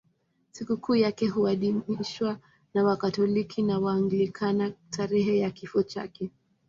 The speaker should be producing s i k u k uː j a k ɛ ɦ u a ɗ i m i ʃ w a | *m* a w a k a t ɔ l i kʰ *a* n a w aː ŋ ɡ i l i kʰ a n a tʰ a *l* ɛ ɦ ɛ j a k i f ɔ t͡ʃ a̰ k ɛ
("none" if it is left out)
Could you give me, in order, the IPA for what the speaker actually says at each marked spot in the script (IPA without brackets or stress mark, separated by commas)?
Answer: n, i, ɾ